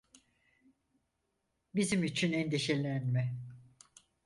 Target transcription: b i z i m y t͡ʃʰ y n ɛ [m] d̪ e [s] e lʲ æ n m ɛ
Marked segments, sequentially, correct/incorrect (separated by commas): incorrect, incorrect